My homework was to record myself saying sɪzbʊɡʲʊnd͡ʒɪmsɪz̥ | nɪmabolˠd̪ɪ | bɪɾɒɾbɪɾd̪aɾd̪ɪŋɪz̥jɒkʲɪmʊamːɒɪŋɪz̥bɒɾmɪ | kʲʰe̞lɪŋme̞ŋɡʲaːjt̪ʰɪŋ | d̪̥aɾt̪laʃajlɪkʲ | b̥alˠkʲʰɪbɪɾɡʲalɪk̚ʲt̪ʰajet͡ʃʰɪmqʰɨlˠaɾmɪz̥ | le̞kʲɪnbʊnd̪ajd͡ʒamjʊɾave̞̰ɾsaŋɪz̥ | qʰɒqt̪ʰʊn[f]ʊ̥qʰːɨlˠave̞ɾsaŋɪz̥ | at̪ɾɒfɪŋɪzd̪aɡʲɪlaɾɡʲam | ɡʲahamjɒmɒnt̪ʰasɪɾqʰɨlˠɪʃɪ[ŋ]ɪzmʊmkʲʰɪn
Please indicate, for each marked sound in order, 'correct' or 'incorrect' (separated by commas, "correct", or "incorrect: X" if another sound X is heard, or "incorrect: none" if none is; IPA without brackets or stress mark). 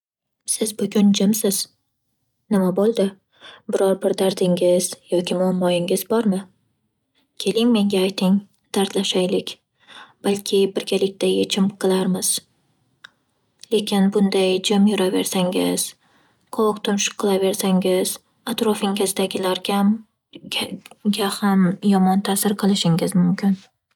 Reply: incorrect: ʃ, correct